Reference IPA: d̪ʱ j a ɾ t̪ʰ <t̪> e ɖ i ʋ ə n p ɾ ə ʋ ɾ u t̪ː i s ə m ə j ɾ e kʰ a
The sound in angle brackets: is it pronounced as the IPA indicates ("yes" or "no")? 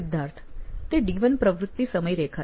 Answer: yes